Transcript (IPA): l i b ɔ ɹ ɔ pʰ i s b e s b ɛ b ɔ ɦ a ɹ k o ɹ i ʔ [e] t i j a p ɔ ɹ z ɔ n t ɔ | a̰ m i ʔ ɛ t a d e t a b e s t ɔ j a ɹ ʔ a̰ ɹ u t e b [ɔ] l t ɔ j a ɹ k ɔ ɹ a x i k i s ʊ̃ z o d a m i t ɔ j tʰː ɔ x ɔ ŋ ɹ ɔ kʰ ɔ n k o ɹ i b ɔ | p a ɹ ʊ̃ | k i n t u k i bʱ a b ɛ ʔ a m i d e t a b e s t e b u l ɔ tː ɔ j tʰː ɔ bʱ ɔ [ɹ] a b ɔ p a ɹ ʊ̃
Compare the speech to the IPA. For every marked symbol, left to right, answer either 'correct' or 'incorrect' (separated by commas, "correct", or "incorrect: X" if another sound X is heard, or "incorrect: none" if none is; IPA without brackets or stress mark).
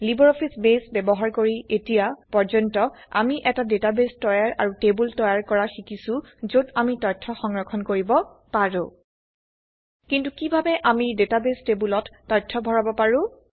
correct, incorrect: u, correct